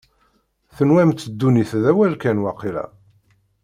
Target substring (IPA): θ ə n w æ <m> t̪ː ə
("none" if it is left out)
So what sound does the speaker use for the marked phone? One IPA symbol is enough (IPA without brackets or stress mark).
m